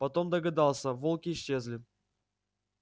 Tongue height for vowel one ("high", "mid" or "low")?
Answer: low